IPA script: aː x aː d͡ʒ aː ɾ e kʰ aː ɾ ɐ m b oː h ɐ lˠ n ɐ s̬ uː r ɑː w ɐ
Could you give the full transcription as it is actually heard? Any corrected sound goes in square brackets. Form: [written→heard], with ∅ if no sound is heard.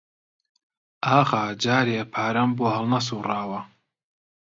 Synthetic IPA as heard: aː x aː d͡ʒ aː ɾ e [kʰ→pʰ] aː ɾ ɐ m b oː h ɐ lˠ n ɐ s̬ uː r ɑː w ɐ